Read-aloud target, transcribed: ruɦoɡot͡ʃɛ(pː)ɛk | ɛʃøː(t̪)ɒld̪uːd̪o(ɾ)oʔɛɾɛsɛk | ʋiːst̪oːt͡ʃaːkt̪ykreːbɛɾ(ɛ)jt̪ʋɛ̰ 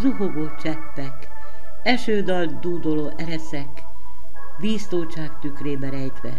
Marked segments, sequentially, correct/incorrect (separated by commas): correct, incorrect, incorrect, correct